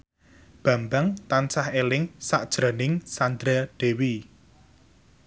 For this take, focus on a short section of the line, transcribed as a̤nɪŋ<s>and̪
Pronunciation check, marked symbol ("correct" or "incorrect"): correct